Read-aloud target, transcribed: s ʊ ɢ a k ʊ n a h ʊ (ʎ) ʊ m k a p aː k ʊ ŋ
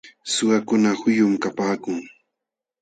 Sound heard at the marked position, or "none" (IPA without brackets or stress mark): j